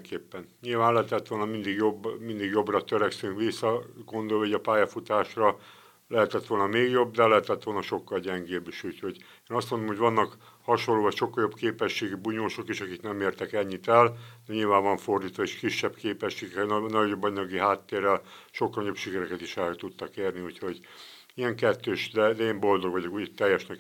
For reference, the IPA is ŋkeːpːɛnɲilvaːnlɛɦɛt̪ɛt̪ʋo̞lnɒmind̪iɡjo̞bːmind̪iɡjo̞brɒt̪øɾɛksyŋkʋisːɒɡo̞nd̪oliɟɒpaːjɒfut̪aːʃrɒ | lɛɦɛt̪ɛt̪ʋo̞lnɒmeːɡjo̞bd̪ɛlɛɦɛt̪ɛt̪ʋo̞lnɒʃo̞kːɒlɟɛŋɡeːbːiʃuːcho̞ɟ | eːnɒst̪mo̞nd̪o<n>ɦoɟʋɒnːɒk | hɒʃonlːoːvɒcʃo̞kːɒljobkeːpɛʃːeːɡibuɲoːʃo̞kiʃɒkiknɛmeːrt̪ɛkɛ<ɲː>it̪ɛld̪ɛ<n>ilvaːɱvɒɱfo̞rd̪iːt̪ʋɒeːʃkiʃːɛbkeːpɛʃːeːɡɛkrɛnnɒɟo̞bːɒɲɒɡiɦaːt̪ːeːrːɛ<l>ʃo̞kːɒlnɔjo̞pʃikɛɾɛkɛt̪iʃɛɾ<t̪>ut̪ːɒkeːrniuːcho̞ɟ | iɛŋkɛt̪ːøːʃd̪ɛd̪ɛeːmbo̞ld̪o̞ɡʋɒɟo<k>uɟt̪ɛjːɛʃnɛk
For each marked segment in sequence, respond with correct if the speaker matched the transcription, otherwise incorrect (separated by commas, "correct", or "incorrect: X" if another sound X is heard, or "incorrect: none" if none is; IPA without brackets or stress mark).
incorrect: m, correct, incorrect: ɲ, correct, correct, correct